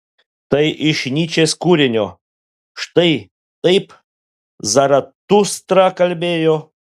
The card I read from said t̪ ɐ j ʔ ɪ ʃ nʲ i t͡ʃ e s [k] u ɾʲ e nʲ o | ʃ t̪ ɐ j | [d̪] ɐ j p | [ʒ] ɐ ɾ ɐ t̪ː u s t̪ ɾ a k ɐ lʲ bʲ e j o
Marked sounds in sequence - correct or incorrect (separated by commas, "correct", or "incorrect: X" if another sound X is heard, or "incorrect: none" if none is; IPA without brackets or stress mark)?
correct, incorrect: t̪, incorrect: z